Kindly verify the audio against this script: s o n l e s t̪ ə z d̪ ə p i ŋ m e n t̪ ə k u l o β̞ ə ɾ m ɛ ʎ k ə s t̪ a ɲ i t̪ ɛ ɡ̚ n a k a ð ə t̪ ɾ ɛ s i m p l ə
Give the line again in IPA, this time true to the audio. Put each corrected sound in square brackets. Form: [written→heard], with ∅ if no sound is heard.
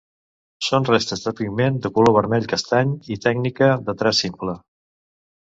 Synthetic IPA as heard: s o n [l→r] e s t̪ ə z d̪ ə p i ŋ m e n [t̪→d̪] ə k u l o β̞ ə ɾ m ɛ ʎ k ə s t̪ a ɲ i t̪ ɛ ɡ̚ n [a→i] k [a→ə] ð ə t̪ ɾ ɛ s i m p l ə